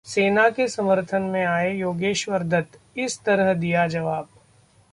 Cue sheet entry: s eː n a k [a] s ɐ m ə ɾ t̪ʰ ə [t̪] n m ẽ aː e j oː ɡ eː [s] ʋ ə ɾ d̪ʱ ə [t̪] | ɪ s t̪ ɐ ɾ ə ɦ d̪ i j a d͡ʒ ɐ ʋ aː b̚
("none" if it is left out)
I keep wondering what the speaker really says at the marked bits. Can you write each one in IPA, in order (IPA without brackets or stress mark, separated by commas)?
e, none, ʃ, t̪